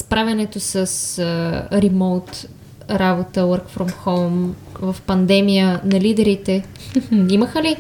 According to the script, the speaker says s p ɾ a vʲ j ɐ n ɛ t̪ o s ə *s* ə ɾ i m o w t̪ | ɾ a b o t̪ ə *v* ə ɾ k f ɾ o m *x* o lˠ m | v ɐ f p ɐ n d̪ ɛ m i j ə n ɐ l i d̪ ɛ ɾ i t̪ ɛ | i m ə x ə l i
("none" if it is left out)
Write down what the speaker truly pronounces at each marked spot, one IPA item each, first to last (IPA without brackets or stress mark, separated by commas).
s, w, x